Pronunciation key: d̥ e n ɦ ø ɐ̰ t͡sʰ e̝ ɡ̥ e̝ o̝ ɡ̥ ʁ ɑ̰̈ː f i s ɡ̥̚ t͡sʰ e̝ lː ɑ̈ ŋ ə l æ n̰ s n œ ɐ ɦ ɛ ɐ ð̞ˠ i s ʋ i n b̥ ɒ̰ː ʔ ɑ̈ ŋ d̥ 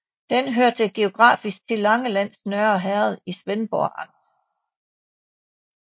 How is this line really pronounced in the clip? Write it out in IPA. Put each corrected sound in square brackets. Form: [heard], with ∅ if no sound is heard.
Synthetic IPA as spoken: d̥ e n ɦ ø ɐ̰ t͡sʰ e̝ ɡ̥ e̝ o̝ ɡ̥ ʁ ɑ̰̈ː f i s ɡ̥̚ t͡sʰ e̝ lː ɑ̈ ŋ ə l æ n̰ s n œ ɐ ɦ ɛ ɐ ð̞ˠ i s ʋ [e] n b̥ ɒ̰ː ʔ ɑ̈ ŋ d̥